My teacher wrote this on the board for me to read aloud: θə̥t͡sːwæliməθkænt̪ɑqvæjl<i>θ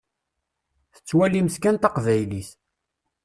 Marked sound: correct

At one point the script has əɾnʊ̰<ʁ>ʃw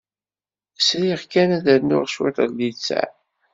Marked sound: correct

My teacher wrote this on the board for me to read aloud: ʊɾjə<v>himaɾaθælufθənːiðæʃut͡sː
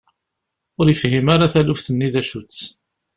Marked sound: incorrect: f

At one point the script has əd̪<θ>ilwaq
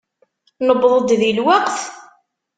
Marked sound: incorrect: ð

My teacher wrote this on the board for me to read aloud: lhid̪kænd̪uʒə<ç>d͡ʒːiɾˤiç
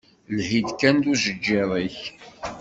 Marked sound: incorrect: none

